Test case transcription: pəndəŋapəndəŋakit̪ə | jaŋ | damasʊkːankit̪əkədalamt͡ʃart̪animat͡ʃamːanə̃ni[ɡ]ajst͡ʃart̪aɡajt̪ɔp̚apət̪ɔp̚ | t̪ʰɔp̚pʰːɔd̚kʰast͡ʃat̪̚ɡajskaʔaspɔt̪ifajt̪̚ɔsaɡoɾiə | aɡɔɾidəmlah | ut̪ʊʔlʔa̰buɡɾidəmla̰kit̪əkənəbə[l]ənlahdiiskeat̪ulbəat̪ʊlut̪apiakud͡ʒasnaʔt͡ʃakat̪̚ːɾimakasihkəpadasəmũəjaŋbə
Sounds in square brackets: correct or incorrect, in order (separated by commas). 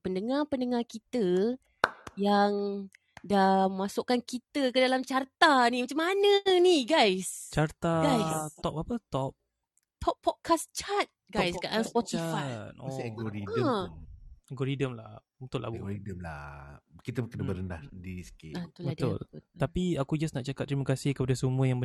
correct, incorrect